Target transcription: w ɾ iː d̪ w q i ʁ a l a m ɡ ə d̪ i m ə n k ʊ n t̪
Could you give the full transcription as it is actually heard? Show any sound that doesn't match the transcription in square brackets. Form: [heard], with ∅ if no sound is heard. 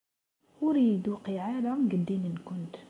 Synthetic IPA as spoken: w ɾ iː d̪ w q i [ʕ] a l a m ɡ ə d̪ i m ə n k ʊ n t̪